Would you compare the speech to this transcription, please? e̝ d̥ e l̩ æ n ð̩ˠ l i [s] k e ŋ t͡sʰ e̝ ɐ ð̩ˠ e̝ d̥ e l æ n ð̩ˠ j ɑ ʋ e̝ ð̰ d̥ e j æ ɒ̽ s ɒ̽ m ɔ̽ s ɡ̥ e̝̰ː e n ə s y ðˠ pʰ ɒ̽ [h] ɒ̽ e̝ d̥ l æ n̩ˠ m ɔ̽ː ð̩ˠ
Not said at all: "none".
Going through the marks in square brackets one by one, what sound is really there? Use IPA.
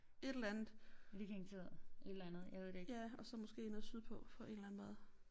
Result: none, f

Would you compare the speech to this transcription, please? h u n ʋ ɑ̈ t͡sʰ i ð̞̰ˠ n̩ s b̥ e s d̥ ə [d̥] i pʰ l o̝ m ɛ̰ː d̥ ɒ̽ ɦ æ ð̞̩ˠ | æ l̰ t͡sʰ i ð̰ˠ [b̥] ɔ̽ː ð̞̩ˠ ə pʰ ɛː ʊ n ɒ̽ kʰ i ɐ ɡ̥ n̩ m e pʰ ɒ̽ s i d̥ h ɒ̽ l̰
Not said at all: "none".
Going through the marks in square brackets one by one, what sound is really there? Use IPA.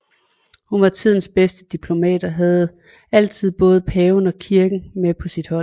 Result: d̥, b̥

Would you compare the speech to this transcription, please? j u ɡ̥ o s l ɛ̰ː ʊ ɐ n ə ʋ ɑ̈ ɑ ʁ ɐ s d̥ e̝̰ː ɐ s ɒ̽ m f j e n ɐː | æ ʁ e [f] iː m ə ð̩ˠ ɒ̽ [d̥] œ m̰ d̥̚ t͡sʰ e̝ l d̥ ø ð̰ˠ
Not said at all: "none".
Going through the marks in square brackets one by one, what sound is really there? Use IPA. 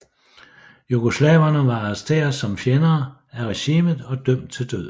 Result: ɕ, d̥

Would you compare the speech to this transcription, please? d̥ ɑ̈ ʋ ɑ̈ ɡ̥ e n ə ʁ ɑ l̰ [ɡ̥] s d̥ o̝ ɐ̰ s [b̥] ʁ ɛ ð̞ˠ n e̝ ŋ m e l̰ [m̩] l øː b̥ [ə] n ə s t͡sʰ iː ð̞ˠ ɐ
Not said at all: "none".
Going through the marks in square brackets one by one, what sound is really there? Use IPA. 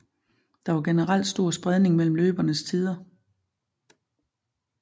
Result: d̥, b̥, m̩, ɐ

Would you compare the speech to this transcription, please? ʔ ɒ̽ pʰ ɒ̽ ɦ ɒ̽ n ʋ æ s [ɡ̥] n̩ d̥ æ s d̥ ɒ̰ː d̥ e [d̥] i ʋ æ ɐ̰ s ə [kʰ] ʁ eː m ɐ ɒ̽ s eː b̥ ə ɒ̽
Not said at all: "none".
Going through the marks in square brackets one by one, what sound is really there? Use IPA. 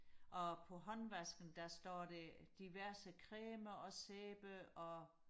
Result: ɡ̥, d̥, kʰ

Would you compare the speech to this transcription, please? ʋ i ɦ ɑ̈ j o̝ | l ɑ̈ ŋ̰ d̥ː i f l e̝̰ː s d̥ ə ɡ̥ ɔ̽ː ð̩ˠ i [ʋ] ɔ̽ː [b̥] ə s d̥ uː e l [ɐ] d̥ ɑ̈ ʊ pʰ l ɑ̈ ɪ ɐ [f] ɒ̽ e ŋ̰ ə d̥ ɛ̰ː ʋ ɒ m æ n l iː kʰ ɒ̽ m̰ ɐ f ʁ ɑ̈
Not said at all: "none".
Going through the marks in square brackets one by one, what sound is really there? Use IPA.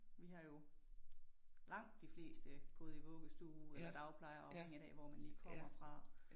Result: ʋ, ɡ̥, ɐ, none

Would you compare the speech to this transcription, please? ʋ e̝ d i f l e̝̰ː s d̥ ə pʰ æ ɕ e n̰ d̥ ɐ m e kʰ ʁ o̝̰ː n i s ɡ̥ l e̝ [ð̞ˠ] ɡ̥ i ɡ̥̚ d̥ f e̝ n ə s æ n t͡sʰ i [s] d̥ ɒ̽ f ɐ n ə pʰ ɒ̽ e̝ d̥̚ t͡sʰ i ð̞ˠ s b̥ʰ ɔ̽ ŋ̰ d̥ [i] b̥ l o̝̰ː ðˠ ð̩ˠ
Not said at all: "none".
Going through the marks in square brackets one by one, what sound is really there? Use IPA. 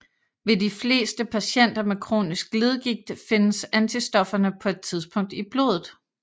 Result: ð̞ˠ, s, i

